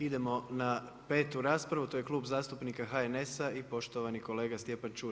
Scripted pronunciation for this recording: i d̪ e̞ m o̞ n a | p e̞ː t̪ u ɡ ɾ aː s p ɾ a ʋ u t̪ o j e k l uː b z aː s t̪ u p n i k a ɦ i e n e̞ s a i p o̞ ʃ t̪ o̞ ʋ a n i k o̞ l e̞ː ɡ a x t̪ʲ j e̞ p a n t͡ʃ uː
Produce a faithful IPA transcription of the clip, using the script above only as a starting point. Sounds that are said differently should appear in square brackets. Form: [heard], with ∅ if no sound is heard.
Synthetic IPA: i d̪ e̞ m o̞ n a | p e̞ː t̪ u [∅] ɾ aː s p ɾ a ʋ u t̪ o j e k l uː b z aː s t̪ u p n i k a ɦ [a] e n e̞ s a i p o̞ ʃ t̪ o̞ ʋ a n i k o̞ l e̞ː ɡ a [s] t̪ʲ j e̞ p a n t͡ʃ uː